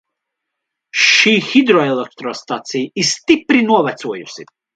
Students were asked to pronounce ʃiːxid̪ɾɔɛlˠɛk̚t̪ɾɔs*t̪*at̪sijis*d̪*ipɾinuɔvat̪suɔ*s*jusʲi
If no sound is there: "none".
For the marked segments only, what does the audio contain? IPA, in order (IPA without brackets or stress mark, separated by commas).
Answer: t̪, t̪, none